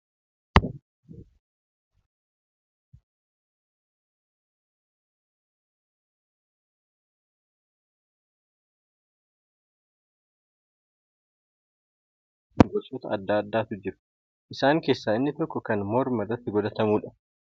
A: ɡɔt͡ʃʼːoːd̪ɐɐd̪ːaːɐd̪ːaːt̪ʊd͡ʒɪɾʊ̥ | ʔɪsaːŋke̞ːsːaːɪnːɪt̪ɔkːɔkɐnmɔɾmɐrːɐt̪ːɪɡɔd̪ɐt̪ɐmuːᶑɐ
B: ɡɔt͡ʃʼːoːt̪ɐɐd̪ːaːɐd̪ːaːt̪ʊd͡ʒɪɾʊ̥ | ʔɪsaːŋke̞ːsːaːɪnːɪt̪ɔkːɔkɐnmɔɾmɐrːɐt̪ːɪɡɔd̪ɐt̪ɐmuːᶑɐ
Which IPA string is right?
B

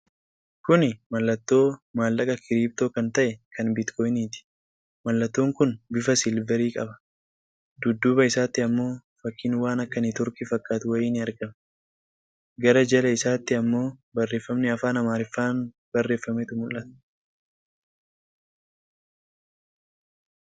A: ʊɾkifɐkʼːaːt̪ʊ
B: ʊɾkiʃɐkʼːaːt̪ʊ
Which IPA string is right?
A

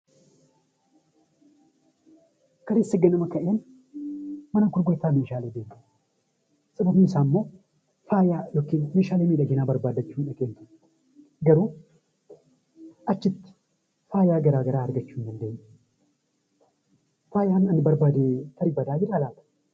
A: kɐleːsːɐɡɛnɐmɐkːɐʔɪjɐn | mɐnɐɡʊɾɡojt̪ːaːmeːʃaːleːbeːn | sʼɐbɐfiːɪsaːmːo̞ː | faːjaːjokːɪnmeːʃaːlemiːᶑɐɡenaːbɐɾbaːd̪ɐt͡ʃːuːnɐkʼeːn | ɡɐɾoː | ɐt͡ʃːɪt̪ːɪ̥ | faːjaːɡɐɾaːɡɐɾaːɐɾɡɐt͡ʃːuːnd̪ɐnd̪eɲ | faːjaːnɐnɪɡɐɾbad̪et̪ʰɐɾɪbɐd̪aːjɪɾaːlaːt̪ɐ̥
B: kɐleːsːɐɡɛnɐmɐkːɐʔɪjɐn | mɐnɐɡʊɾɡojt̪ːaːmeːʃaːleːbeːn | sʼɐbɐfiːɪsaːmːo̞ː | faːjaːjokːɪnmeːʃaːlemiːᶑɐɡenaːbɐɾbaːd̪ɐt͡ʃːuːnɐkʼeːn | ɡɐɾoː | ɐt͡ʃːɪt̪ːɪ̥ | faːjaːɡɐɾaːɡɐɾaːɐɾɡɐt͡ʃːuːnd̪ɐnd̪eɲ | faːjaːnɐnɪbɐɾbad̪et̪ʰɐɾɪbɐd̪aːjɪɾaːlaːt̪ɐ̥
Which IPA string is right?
B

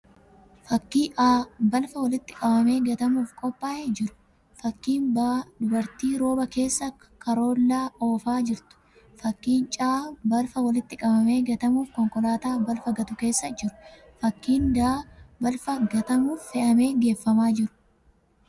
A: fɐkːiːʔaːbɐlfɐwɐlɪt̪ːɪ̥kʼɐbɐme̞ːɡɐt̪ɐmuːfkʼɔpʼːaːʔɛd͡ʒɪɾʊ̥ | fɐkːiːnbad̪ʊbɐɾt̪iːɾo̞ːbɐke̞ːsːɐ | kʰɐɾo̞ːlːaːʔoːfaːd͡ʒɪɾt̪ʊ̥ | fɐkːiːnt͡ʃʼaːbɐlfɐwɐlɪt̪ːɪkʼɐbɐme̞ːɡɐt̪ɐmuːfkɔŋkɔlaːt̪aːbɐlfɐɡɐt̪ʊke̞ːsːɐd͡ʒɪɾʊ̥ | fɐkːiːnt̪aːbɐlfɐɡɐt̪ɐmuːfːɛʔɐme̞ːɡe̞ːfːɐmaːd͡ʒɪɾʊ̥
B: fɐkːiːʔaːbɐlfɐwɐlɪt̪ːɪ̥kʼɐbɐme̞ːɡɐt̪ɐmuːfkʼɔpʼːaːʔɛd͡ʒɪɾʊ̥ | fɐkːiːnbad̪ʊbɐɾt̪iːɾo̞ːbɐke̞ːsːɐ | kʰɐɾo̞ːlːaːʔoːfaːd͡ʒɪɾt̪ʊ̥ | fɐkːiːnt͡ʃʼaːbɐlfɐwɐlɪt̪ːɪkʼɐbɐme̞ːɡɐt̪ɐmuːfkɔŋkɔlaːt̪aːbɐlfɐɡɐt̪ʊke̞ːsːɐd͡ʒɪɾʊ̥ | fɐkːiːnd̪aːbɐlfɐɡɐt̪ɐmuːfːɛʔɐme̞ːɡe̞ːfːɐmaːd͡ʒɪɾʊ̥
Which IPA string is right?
B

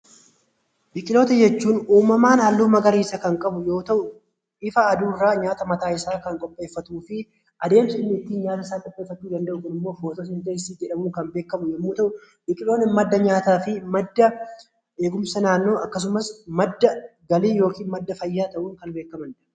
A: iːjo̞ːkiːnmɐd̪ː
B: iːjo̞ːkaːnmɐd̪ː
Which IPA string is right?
A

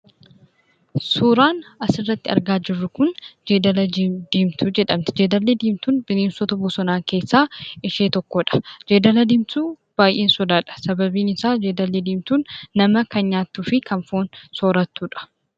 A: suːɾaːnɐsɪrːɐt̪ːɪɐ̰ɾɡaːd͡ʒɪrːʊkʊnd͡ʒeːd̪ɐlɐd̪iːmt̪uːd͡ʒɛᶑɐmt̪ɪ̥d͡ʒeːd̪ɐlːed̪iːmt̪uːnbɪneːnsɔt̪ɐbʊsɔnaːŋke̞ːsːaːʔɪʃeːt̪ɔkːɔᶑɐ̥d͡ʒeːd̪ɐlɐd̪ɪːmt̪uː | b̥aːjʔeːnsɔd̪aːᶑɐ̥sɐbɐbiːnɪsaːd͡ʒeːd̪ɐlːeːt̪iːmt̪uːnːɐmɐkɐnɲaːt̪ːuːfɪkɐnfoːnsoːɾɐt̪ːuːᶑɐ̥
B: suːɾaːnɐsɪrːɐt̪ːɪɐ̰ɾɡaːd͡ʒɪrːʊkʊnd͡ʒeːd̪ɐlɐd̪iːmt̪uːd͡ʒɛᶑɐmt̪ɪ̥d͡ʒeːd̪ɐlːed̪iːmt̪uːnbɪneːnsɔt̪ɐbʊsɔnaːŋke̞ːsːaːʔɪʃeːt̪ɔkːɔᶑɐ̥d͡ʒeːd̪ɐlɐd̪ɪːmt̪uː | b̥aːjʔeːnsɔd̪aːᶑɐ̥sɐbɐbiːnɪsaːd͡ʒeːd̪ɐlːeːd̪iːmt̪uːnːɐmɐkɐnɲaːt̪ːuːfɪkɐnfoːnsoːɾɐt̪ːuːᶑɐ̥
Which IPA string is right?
B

